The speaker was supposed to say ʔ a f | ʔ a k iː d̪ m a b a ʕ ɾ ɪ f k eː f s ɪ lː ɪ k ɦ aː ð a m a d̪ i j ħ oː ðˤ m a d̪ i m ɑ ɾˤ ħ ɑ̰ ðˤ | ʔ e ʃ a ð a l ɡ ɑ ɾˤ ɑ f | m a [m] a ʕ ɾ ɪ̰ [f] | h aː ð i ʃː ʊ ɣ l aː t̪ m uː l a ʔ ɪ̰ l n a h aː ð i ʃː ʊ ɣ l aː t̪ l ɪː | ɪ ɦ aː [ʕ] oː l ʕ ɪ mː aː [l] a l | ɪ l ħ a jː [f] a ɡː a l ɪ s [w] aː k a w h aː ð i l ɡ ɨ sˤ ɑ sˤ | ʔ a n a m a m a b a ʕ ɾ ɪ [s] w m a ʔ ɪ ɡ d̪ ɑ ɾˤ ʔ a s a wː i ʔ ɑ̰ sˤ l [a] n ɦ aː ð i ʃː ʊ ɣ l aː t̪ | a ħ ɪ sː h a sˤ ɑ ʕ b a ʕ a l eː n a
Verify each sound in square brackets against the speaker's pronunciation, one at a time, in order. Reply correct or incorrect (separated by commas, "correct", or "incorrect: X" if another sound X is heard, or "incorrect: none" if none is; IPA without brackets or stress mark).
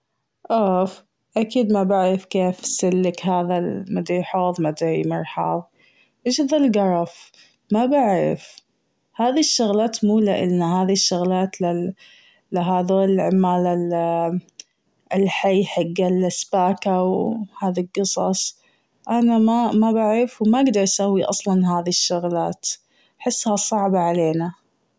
incorrect: b, correct, incorrect: ð, correct, incorrect: ħ, incorrect: b, incorrect: f, incorrect: ɑ